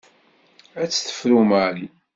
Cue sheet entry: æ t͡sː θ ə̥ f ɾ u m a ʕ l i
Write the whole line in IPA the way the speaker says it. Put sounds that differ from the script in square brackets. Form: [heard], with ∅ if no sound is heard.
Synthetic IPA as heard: æ t͡sː θ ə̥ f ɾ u m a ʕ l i